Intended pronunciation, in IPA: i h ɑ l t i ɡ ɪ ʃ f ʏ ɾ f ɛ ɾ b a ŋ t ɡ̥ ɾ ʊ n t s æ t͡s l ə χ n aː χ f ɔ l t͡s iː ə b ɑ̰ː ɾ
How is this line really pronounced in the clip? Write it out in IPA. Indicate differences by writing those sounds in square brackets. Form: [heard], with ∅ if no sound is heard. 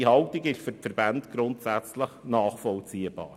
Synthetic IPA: i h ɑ l t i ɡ ɪ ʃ f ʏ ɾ f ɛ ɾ b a [n] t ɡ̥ ɾ ʊ n t s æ t͡s l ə χ n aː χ f ɔ l t͡s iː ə b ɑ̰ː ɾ